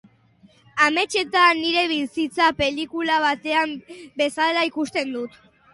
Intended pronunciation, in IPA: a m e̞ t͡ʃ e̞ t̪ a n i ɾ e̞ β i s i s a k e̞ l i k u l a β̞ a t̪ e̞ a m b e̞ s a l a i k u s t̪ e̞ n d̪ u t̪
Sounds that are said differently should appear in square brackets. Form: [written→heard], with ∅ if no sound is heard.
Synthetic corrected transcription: a m e̞ t͡ʃ e̞ t̪ a n i ɾ e̞ β i s i [s→t͡s] a [k→p] e̞ l i k u l a β̞ a t̪ e̞ a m b e̞ s a l a i k u s t̪ e̞ n d̪ u t̪